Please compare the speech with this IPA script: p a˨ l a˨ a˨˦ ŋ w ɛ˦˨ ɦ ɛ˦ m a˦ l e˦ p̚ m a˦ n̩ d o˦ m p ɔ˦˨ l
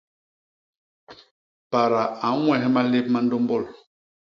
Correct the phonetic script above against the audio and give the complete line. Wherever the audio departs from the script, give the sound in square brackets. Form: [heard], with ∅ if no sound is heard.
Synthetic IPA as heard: p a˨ [ɾ] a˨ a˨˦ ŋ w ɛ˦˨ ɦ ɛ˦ m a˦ l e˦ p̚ m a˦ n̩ d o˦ m [b] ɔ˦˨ l